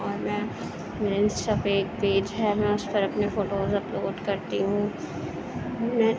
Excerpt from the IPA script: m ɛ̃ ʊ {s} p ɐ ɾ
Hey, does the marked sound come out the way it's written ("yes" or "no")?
yes